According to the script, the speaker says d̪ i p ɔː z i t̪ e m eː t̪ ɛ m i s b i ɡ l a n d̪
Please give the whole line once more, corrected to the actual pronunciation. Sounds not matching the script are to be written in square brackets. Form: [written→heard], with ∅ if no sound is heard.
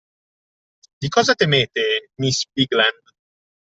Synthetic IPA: d̪ i [p→k] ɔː z [i→a] t̪ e m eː t̪ [ɛ→e] m i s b i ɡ l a n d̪